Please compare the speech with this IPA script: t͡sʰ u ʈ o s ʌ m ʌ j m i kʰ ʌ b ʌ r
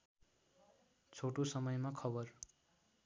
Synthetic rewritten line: t͡sʰ o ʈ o s ʌ m ʌ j m a kʰ ʌ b ʌ r